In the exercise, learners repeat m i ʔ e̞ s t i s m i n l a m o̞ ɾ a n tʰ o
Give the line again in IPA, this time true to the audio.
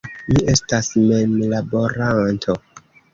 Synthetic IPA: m i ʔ e̞ s t a s m e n l a b o̞ ɾ a n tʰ o